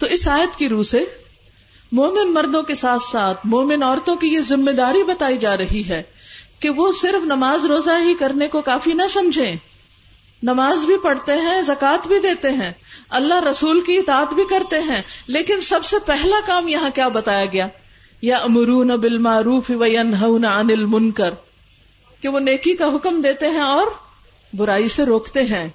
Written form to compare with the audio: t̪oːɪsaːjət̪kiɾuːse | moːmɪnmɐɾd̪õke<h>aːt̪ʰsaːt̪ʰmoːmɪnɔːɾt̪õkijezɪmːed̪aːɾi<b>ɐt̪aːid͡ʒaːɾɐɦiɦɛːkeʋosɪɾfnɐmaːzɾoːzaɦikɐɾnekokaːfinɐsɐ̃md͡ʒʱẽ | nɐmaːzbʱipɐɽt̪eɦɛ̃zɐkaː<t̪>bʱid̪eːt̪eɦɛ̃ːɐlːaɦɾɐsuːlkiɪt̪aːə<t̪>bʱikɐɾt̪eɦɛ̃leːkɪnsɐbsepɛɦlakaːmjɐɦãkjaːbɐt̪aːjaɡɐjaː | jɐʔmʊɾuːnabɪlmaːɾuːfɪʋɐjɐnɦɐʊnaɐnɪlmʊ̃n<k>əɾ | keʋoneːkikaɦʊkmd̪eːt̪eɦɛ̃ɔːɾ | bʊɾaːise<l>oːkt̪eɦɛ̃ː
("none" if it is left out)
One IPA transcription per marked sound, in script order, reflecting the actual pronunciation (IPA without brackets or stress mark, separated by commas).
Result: s, b, t̪, t̪, k, ɾ